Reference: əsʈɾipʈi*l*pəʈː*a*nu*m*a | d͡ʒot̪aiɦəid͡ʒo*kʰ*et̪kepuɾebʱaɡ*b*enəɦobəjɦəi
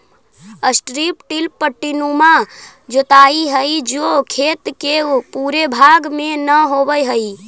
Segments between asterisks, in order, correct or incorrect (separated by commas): correct, incorrect, correct, correct, incorrect